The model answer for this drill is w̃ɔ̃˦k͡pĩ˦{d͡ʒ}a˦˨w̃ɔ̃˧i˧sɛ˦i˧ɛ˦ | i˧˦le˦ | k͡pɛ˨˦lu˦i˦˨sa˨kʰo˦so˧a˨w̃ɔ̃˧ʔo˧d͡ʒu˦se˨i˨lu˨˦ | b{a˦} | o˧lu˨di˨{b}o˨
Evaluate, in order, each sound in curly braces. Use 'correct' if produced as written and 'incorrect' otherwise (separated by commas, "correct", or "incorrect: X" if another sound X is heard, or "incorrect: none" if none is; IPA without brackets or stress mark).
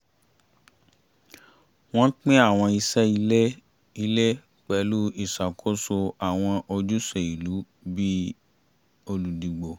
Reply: incorrect: none, incorrect: i˦, incorrect: ɡ͡b